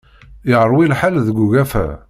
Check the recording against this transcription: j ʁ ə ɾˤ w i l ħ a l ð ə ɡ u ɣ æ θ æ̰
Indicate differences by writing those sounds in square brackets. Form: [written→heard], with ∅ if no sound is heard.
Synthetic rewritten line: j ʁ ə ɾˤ w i l ħ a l ð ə ɡ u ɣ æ [θ→f] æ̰